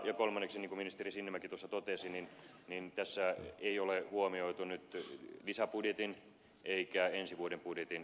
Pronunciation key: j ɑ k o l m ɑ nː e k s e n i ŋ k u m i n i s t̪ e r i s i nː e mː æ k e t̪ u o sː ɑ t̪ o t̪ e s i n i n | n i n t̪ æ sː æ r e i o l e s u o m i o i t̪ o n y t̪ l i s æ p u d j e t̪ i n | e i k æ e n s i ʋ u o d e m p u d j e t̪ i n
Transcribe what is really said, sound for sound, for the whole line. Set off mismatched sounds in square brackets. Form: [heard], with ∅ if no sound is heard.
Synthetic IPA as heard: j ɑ k o l m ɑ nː e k s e n i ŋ k u m i n i s t̪ e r i s i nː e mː æ k [i] t̪ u o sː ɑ t̪ o t̪ e s i n i n | n i n t̪ æ sː æ [∅] e i o l e [h] u o m i o i t̪ [u] n y t̪ l i s æ p u d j e t̪ i n | e i k æ e n s i ʋ u o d e m p u d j e t̪ i n